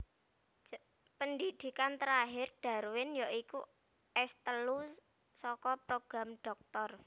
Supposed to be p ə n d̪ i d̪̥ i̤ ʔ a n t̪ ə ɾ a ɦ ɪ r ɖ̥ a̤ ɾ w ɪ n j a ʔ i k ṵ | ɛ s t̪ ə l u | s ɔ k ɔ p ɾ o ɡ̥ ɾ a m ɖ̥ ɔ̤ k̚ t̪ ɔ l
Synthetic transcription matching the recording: p ə n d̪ i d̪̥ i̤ k a n t̪ ə ɾ a ɦ ɪ r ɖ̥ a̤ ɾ w ɪ n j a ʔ i k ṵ | ɛ s t̪ ə l u | s ɔ k ɔ p ɾ o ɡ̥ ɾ a m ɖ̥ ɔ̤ k̚ t̪ ɔ r